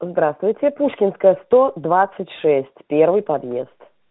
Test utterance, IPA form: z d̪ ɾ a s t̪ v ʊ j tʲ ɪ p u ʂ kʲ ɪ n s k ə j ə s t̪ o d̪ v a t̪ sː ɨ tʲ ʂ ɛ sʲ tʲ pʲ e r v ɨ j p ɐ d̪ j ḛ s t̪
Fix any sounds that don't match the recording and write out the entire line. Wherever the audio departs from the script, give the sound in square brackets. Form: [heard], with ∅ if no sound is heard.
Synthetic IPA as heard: z d̪ ɾ a s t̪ v ʊ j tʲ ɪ p u ʂ kʲ ɪ n s k ə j ə s t̪ o d̪ v a t̪ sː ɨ tʲ ʂ ɛ sʲ tʲ pʲ e r v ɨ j p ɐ d̪ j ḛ s t̪